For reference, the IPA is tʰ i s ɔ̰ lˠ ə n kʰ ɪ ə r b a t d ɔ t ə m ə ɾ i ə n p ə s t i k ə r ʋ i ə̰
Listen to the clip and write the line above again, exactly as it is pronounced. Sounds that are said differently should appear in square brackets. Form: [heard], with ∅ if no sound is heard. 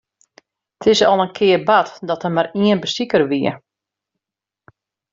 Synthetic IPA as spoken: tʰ [ɪ] s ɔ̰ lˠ ə n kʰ ɪ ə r b a t d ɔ t ə m [a] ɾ i ə n [b] ə s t i k ə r ʋ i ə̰

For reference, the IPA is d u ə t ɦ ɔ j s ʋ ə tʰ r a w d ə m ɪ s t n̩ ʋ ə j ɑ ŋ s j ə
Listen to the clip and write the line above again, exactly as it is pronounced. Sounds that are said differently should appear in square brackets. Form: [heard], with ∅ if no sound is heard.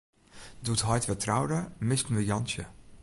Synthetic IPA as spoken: d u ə t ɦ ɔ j [t] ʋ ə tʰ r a w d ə m ɪ s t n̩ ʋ ə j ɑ [n] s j ə

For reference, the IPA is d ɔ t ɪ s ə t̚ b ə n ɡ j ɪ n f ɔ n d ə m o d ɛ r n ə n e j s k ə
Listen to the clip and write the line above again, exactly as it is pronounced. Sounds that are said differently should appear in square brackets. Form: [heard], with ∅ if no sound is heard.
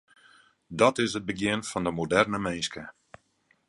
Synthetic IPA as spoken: d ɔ t ɪ s ə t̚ b ə [∅] ɡ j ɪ n f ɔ n d ə m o d ɛ r n ə [m] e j s k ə

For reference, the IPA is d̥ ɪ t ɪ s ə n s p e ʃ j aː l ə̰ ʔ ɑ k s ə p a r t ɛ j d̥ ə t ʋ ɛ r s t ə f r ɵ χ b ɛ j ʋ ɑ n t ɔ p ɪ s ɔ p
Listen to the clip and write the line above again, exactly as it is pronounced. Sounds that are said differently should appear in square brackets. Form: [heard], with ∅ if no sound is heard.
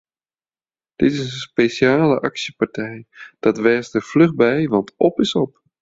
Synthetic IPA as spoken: d̥ ɪ t ɪ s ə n s p e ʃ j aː l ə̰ ʔ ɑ k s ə p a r t ɛ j d̥ [ɑ] t ʋ ɛ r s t ə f [l] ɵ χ b ɛ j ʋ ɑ n t ɔ p ɪ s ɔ p

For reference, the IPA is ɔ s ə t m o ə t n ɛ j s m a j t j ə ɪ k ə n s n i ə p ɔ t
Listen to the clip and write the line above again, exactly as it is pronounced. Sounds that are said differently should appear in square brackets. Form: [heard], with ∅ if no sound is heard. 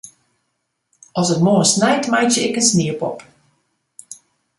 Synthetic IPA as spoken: ɔ s ə t m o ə [s] n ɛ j [t] m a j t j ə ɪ k ə n s n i ə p ɔ [p]

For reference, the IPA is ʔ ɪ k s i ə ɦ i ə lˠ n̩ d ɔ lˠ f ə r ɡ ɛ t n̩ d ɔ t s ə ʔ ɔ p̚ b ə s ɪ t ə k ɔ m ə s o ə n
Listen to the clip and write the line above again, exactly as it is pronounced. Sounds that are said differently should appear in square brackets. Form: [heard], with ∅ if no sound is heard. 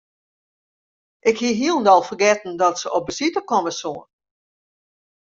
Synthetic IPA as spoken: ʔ ɪ k [h] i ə ɦ i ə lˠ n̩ d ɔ lˠ f ə r ɡ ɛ t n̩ d ɔ t s ə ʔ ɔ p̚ b ə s [i] t ə k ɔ m ə s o ə n

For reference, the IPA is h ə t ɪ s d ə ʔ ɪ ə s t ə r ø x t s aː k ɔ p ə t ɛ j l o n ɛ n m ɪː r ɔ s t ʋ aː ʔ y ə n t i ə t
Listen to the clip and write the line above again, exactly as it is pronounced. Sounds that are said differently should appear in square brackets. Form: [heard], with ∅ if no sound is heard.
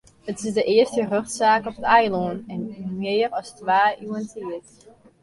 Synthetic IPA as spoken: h ə t ɪ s d ə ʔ ɪ ə s t ə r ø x t s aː k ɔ p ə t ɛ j l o n ɛ n m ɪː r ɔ s t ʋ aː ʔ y ə n t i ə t

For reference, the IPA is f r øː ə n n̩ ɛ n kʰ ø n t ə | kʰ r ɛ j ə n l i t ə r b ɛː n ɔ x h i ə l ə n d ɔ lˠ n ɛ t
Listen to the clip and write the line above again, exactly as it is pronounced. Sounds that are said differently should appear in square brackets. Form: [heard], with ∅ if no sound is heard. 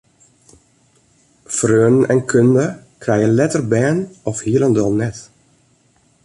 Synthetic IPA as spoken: f r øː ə n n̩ ɛ n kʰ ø n [d] ə | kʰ r ɛ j ə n l [ɛ] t ə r b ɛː n ɔ [f] h i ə l ə n d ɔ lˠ n ɛ t

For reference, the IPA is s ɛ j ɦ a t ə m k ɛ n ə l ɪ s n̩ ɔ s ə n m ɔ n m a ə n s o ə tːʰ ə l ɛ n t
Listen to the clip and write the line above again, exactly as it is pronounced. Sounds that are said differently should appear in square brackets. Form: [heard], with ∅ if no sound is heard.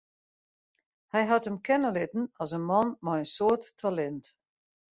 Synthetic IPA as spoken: [h] ɛ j ɦ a t ə m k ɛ n ə l ɪ [t] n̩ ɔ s ə n m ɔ n m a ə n s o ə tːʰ [a] l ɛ n t

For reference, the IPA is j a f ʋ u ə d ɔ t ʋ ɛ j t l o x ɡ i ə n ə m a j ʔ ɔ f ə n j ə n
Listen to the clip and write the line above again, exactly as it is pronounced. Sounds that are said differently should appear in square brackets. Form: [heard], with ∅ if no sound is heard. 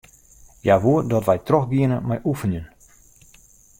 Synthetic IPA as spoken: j a [∅] ʋ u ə d ɔ t ʋ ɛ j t [r] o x ɡ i ə n ə m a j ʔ [u] f ə n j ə n

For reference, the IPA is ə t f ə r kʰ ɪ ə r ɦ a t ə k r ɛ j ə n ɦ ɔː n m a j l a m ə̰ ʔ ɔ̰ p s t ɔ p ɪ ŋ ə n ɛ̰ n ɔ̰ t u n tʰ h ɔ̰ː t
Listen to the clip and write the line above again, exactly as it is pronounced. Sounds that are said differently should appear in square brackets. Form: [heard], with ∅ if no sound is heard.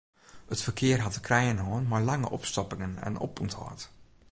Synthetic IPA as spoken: ə t f ə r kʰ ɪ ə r ɦ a t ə k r ɛ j ə n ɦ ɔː n m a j l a [ŋ] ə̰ ʔ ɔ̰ p s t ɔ p ɪ ŋ ə n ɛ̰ n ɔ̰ [p] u n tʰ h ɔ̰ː t

